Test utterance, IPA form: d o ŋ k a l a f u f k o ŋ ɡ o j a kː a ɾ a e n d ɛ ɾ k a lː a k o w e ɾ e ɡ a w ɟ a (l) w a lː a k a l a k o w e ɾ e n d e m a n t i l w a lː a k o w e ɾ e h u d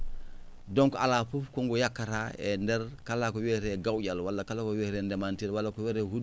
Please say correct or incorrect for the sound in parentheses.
correct